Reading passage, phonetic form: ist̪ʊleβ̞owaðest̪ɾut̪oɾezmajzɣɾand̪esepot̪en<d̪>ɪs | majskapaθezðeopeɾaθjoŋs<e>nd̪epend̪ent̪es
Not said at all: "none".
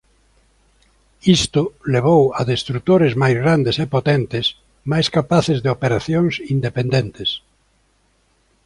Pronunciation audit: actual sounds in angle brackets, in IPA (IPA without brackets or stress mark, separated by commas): t̪, i